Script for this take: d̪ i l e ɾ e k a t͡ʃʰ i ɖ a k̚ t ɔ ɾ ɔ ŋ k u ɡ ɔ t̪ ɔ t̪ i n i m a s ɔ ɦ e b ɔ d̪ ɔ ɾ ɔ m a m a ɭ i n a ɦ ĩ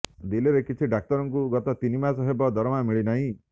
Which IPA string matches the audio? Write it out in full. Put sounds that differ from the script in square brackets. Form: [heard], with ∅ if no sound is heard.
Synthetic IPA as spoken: d̪ i l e ɾ e k [i] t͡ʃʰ i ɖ a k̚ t ɔ ɾ ɔ ŋ k u ɡ ɔ t̪ ɔ t̪ i n i m a s ɔ ɦ e b ɔ d̪ ɔ ɾ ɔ m a m [i] ɭ i n a ɦ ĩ